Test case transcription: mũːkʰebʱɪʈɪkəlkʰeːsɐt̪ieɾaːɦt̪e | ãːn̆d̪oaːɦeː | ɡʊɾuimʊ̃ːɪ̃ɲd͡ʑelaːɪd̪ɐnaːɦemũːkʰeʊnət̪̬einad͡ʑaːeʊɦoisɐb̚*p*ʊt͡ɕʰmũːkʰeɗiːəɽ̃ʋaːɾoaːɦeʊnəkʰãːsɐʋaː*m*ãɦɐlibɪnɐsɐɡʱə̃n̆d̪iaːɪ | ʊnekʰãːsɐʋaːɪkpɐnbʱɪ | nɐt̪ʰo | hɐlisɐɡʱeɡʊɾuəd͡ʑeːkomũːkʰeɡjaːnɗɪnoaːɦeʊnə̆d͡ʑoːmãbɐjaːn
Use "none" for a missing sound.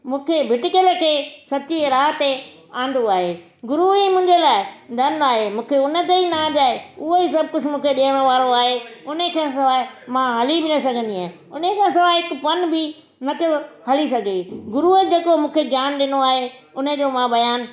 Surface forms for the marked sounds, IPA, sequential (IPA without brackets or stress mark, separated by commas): k, m